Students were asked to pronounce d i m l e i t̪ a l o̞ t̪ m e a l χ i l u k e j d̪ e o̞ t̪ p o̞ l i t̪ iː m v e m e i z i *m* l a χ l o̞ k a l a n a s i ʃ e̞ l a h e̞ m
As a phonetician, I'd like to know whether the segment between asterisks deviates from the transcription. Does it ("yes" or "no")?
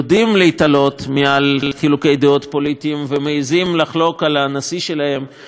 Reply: no